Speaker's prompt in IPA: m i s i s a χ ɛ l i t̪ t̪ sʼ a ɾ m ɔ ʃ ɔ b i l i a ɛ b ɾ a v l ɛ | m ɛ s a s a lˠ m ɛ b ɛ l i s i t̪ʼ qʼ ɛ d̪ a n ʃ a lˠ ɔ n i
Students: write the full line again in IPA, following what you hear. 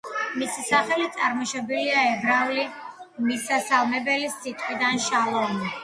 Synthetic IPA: m i s i s a χ ɛ l i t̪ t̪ sʼ a ɾ m ɔ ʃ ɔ b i l i a ɛ b ɾ a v l i | m i s a s a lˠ m ɛ b ɛ l i s i t̪ʼ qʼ i d̪ a n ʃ a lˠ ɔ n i